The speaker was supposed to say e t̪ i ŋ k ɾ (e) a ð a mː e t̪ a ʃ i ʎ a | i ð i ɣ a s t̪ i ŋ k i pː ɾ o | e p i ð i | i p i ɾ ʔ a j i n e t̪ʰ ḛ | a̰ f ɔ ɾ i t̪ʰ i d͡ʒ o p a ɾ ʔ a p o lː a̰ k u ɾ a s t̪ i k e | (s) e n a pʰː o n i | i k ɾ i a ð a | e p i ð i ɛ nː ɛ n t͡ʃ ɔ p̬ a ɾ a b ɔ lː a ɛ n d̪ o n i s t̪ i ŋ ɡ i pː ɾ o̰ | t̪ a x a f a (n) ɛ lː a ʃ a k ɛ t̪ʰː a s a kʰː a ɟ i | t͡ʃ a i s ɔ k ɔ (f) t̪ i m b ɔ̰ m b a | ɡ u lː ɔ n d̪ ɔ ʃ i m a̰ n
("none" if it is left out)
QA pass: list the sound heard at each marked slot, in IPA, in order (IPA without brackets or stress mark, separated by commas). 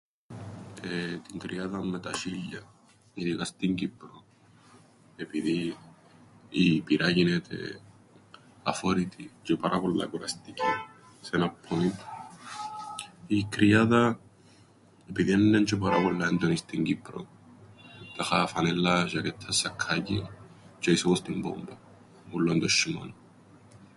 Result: i, s, n, s